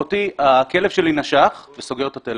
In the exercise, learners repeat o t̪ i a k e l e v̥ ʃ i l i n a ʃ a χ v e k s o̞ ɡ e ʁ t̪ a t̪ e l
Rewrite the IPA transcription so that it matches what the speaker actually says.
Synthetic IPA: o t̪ i a k e l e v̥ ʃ e l i n a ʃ a χ v e s o̞ ɡ e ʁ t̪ a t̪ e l